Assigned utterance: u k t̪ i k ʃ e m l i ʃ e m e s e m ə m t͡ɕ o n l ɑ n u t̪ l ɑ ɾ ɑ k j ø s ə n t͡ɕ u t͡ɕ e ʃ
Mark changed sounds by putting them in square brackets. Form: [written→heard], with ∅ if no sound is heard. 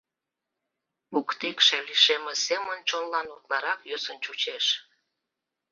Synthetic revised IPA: u k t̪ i k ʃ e [m→∅] l i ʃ e m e s e m ə [m→n] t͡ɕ o n l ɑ n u t̪ l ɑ ɾ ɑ k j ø s ə n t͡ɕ u t͡ɕ e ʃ